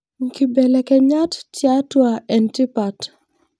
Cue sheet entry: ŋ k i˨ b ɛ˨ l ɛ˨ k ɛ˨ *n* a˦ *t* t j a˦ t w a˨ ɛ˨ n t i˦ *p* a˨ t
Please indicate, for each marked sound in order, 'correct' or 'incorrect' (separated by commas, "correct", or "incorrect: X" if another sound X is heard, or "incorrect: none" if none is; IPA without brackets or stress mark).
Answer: incorrect: ɲ, correct, correct